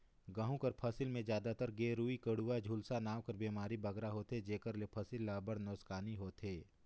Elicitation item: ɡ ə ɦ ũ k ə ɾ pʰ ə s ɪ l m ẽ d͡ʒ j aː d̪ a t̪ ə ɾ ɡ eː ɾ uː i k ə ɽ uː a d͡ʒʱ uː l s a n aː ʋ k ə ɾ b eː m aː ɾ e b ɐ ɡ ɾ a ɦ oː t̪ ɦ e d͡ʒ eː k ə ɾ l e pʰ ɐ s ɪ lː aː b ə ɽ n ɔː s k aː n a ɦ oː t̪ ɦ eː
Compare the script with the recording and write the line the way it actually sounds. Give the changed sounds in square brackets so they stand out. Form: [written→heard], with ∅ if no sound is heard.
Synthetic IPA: ɡ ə ɦ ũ k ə ɾ pʰ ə s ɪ l m ẽ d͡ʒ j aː d̪ a t̪ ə ɾ ɡ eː ɾ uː i k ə ɽ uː a d͡ʒʱ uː l s a n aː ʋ k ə ɾ b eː m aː ɾ [e→i] b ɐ ɡ ɾ a ɦ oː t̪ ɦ e d͡ʒ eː k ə ɾ l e pʰ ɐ s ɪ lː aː b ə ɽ n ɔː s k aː n [a→i] ɦ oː t̪ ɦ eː